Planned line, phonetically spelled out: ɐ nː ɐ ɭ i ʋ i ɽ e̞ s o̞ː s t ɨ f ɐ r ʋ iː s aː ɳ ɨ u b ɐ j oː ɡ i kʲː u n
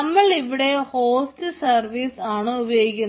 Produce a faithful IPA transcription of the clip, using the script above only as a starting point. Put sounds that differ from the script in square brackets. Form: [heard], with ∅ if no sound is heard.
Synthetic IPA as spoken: ɐ [mː] ɐ ɭ i ʋ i ɽ e̞ [h] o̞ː s t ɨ [s] ɐ r ʋ iː s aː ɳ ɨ u b ɐ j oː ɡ i kʲː u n